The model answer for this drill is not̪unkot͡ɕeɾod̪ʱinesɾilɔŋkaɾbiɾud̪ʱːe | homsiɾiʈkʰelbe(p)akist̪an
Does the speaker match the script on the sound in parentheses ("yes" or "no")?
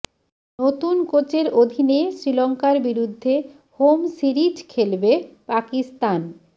yes